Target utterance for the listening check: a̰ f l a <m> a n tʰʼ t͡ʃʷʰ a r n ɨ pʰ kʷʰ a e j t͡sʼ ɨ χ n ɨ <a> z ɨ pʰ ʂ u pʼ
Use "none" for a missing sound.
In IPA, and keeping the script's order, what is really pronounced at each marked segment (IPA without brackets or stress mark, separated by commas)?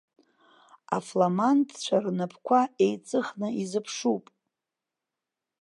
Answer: m, i